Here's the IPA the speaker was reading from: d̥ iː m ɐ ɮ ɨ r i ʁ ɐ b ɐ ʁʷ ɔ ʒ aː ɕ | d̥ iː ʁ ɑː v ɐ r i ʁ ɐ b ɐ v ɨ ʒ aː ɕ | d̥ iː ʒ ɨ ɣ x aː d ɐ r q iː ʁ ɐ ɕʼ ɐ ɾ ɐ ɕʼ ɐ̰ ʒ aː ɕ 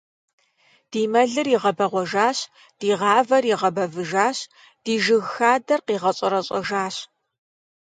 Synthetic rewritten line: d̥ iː m ɐ ɮ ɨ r i ʁ ɐ b ɐ ʁʷ ɔ ʒ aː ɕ | d̥ iː ʁ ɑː v ɐ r i ʁ ɐ b ɐ v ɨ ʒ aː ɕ | d̥ iː ʒ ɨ ɣ x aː d ɐ r q iː ʁ ɐ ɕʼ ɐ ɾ ɐ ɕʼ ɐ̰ ʒ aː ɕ